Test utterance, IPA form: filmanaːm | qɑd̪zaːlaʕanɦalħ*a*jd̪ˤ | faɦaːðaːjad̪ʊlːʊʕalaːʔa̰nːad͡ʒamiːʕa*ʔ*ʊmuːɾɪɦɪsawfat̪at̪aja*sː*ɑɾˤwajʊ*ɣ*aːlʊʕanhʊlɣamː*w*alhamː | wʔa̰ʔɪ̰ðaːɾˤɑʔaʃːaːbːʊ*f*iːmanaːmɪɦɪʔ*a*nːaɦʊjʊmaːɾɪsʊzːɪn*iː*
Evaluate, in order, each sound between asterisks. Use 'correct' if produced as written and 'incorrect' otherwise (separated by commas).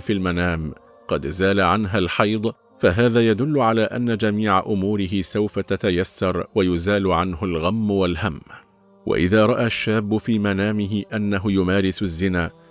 incorrect, correct, correct, incorrect, correct, correct, correct, incorrect